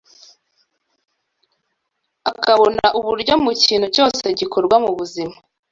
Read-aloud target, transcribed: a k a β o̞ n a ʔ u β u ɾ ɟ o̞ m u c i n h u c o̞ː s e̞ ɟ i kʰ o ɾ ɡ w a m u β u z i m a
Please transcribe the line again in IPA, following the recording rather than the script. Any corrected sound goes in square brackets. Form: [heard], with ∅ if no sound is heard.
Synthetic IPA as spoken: a k a β o̞ n a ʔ u β u ɾ ɟ o̞ m u c [iː] n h u c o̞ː s e̞ ɟ i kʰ o ɾ ɡ w a m u β u z i m a